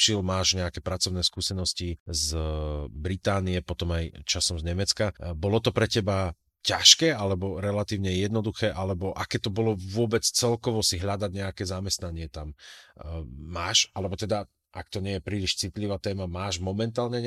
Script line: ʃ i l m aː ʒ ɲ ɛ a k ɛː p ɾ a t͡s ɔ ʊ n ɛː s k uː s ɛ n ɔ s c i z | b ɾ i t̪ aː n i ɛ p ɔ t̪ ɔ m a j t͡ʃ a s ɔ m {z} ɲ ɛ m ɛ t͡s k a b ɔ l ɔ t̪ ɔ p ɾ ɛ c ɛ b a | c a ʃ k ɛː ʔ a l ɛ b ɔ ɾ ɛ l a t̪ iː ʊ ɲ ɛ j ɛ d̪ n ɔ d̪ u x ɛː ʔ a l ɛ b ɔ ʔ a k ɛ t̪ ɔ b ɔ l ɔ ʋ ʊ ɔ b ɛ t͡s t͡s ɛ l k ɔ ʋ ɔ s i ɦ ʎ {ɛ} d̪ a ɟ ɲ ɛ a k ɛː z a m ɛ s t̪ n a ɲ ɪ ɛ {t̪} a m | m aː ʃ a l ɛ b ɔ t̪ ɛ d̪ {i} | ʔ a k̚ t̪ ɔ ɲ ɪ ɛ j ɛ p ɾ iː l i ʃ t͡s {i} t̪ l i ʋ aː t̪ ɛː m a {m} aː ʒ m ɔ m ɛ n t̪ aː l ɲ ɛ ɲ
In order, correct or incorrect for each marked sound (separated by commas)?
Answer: correct, incorrect, correct, incorrect, correct, correct